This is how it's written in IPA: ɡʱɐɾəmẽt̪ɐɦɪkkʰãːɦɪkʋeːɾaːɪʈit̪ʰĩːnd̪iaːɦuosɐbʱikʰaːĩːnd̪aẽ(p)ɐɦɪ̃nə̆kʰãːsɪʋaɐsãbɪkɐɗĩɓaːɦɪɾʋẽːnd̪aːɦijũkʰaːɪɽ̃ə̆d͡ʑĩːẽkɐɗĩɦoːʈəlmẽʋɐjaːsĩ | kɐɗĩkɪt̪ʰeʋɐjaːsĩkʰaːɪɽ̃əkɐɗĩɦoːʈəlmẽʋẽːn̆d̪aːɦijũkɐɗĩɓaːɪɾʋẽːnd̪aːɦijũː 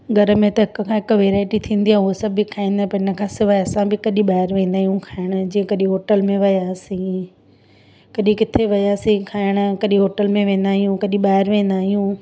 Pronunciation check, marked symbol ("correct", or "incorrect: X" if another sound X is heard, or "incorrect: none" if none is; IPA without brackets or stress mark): correct